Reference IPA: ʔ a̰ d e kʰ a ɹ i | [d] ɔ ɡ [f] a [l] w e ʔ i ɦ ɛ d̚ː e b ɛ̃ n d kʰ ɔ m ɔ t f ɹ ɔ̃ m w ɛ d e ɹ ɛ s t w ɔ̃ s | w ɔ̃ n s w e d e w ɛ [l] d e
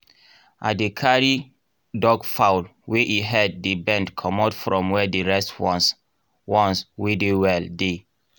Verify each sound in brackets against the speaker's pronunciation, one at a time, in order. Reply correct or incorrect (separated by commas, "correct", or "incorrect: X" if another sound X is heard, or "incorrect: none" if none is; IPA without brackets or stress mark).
correct, correct, correct, correct